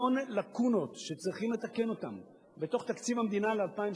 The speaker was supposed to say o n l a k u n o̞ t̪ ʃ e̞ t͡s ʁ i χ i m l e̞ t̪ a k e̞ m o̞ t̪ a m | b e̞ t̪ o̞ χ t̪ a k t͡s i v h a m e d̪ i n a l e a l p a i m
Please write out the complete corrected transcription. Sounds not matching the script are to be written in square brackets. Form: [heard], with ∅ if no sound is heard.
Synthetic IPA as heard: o n l a k u n o̞ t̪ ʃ e̞ t͡s ʁ i χ i m l e̞ t̪ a k e̞ [n] o̞ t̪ a m | b e̞ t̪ o̞ χ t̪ a k t͡s i v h a m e d̪ i n a l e a l p a i m